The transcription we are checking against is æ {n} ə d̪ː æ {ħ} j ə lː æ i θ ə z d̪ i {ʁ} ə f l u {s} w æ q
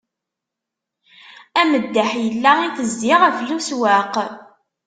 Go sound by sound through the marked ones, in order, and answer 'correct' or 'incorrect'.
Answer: incorrect, correct, correct, correct

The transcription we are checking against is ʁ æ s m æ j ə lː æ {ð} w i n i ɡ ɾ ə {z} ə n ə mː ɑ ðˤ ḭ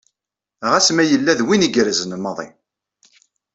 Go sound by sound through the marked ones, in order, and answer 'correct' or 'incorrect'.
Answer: correct, correct

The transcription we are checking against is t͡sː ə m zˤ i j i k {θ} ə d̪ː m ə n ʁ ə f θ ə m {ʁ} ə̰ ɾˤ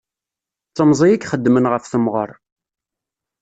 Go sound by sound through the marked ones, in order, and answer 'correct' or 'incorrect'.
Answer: incorrect, correct

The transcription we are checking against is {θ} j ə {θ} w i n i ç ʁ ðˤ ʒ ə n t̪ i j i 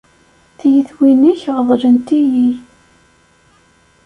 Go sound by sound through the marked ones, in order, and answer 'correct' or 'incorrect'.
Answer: correct, correct

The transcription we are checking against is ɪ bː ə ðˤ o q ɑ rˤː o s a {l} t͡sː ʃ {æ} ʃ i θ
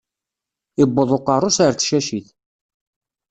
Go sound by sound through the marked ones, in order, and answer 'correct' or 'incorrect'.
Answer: incorrect, correct

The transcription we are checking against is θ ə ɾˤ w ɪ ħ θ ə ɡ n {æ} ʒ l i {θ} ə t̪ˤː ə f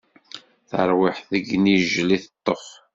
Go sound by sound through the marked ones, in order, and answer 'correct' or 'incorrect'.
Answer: incorrect, correct

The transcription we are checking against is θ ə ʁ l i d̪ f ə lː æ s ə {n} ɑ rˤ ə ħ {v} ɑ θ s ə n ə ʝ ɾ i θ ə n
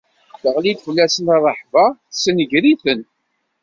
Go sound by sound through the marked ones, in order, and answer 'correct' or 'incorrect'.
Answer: correct, correct

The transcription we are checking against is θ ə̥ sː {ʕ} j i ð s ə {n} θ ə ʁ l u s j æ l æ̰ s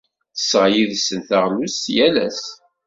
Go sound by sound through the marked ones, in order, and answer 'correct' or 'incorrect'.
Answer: incorrect, correct

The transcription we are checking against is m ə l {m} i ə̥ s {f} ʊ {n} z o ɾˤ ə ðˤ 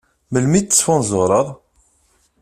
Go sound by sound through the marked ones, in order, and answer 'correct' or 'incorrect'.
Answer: correct, correct, correct

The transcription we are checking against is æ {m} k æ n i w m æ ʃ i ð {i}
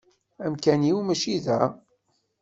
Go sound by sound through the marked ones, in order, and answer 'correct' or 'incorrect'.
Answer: correct, incorrect

